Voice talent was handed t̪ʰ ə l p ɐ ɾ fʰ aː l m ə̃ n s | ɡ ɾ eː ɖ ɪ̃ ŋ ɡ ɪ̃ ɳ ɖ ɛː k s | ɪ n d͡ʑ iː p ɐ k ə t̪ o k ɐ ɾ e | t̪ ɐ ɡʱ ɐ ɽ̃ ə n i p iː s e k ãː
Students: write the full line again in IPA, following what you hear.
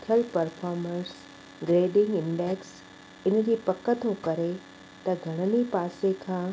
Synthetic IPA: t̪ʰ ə l p ɐ ɾ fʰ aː ɾ m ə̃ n s | ɡ ɾ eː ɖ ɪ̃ ŋ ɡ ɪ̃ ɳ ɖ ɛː k s | ɪ n d͡ʑ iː p ɐ k ə t̪ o k ɐ ɾ e | t̪ ɐ ɡʱ ɐ ɽ̃ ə n i p aː s e kʰ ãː